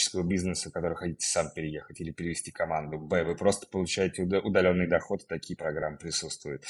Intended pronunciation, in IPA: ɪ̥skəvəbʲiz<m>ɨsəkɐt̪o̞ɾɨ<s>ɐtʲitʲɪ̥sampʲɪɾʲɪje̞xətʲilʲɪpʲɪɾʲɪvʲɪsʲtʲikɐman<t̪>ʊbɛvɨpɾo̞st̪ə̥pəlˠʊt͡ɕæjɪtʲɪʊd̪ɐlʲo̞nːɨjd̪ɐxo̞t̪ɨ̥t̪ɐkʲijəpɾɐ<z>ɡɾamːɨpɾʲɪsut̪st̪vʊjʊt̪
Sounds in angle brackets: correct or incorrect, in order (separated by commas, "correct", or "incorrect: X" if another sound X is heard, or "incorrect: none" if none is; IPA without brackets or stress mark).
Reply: incorrect: n, incorrect: x, incorrect: d̪, incorrect: none